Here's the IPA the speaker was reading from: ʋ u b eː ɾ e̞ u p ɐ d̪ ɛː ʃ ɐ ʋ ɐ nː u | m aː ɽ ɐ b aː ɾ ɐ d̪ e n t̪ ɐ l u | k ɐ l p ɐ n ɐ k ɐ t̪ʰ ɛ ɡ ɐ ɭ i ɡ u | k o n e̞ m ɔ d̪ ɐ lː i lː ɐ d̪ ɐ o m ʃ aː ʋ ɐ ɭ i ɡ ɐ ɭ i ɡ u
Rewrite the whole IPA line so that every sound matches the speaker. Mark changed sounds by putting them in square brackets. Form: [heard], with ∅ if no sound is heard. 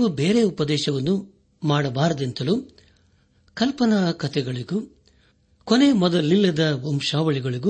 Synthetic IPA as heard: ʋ u b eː ɾ e̞ u p ɐ d̪ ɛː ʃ ɐ ʋ ɐ nː u | m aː ɽ ɐ b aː ɾ ɐ d̪ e n t̪ ɐ l u | k ɐ l p ɐ n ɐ k ɐ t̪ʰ ɛ ɡ ɐ ɭ i ɡ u | k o n e̞ m ɔ d̪ ɐ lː i lː ɐ d̪ ɐ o m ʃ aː ʋ ɐ ɭ i ɡ ɐ ɭ i ɡ u